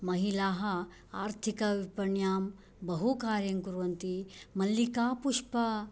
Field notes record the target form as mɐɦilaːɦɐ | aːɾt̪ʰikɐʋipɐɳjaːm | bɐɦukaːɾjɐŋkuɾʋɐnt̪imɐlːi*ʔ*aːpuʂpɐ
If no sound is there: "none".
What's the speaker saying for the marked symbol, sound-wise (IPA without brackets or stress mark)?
k